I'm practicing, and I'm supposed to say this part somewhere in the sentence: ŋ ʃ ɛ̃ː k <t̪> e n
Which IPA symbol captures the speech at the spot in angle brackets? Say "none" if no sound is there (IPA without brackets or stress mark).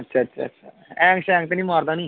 t̪